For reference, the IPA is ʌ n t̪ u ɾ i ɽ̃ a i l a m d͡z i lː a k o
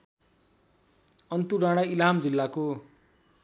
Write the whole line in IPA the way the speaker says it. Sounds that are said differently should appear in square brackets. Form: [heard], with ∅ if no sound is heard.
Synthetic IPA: ʌ n t̪ u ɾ [a] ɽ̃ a i l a m d͡z i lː a k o